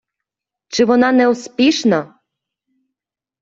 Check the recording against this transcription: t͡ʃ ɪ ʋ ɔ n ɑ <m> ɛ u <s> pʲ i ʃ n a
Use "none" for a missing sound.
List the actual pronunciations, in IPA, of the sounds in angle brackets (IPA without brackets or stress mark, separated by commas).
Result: n, s